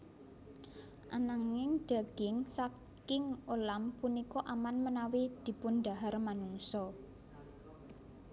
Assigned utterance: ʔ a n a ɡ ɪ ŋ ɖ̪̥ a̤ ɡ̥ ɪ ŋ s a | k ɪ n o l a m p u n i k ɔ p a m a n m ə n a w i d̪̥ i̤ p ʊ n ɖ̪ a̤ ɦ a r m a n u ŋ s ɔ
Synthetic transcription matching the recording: ʔ a n a ŋ ɪ ŋ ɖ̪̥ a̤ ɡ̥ ɪ ŋ s a | k ɪ ŋ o l a m p u n i k ɔ ʔ a m a n m ə n a w i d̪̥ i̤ p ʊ n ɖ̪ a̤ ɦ a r m a n u ŋ s ɔ